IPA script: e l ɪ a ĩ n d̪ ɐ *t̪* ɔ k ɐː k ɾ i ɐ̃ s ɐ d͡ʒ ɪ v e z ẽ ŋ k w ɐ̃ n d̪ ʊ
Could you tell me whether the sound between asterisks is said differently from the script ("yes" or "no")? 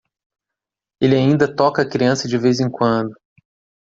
no